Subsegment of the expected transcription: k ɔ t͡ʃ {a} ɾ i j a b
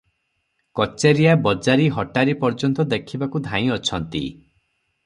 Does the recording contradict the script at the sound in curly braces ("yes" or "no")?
yes